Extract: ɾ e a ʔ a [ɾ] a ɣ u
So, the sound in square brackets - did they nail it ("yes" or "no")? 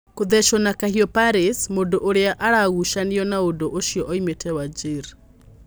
yes